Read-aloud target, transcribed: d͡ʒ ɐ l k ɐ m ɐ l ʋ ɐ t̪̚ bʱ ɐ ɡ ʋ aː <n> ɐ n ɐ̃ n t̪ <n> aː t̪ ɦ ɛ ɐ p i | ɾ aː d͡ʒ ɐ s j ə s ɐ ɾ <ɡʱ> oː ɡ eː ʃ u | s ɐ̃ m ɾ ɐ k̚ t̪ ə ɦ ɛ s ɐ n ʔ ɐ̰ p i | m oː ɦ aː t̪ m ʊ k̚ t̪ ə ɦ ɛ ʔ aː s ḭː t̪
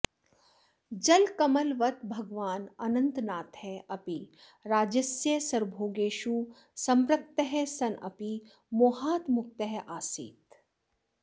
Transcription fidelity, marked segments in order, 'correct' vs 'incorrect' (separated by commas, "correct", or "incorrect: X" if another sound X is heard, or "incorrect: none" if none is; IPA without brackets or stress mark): correct, correct, incorrect: bʱ